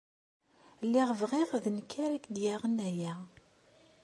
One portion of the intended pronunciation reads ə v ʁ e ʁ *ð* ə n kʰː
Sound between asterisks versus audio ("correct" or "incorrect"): correct